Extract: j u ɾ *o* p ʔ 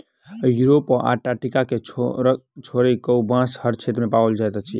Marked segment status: correct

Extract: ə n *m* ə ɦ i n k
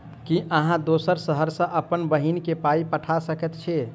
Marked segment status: incorrect: b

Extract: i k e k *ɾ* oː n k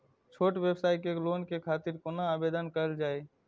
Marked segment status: incorrect: l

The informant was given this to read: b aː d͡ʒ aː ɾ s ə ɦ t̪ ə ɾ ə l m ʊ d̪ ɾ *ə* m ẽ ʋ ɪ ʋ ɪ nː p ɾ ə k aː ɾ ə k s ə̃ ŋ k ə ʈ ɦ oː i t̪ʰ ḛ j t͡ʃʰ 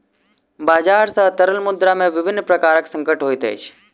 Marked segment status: incorrect: a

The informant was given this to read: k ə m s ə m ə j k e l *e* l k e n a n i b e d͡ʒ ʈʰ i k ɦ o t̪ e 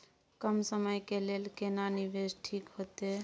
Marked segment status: correct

